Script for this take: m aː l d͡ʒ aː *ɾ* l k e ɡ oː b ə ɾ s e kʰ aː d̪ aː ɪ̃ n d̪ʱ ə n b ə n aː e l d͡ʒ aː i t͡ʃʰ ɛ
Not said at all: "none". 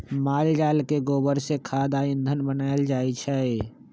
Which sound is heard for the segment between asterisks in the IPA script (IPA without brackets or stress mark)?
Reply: none